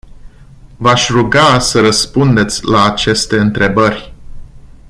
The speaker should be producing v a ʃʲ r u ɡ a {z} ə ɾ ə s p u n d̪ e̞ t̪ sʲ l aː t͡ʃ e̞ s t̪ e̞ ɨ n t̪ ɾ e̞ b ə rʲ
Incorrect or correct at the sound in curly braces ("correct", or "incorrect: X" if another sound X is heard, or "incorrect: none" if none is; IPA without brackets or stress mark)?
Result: incorrect: s